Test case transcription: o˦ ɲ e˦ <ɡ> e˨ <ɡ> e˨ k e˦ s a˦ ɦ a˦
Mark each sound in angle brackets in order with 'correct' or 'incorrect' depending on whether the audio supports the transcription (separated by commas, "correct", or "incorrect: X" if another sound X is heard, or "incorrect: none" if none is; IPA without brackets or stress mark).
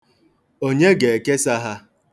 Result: correct, incorrect: none